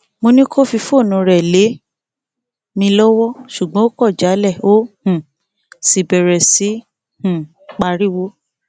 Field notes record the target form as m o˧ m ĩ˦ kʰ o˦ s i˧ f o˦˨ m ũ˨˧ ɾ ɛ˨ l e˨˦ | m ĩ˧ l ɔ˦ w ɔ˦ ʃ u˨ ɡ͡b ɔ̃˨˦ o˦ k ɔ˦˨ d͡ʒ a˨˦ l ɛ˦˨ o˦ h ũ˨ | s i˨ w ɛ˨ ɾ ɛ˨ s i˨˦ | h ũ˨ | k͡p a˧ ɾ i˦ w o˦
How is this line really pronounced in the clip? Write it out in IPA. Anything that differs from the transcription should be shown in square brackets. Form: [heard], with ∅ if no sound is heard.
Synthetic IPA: m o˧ [n] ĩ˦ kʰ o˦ [f] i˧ f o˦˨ [n] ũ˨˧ ɾ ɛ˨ l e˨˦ | m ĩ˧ l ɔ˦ w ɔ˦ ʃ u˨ ɡ͡b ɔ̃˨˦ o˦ k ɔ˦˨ d͡ʒ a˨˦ l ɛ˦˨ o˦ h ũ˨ | s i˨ [b] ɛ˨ ɾ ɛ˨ s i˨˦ | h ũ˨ | k͡p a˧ ɾ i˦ w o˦